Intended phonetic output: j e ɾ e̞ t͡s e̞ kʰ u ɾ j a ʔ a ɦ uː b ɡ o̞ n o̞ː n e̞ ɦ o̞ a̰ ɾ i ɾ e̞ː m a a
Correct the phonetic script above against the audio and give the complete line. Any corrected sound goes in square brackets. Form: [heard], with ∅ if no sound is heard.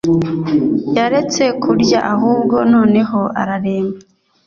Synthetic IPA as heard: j [a] ɾ e̞ t͡s e̞ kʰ u ɾ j a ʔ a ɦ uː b ɡ o̞ n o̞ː n e̞ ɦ o̞ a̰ ɾ [a] ɾ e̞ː m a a